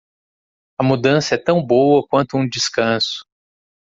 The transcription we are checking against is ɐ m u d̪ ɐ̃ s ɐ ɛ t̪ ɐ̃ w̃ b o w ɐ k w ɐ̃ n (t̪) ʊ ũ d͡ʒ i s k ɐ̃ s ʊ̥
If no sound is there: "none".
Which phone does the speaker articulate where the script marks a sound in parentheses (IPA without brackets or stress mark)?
t̪